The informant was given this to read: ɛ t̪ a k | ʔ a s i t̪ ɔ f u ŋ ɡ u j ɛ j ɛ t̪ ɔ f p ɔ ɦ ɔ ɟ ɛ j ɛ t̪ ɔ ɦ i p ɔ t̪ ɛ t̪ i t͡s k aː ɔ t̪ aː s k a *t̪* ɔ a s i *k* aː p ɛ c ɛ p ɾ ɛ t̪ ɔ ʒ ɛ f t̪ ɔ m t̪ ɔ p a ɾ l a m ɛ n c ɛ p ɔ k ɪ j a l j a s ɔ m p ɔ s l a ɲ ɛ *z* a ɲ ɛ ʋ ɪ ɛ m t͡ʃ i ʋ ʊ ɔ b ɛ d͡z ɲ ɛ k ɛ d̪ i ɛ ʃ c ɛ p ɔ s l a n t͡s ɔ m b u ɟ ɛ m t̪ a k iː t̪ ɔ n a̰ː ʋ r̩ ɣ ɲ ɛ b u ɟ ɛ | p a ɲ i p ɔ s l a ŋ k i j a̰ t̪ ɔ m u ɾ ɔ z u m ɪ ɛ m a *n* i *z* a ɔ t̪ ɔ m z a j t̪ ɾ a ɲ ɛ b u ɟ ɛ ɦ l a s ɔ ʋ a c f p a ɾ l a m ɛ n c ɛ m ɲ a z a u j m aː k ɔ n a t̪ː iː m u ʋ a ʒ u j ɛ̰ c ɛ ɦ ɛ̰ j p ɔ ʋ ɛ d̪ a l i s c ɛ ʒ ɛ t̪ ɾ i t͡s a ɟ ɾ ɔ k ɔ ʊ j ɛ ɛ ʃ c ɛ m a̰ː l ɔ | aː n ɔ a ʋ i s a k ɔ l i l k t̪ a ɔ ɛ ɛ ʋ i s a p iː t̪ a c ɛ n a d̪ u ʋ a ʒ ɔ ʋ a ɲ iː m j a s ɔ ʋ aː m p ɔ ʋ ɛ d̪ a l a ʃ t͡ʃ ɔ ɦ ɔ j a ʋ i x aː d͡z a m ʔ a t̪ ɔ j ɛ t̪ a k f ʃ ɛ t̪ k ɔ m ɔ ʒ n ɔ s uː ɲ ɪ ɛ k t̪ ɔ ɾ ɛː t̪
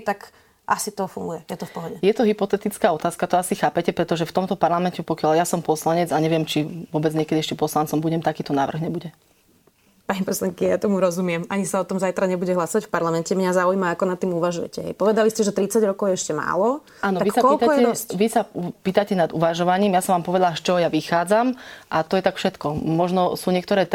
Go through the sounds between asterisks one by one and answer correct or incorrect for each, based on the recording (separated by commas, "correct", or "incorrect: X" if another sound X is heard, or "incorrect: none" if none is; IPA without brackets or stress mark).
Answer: correct, incorrect: x, incorrect: d͡z, incorrect: ɲ, incorrect: s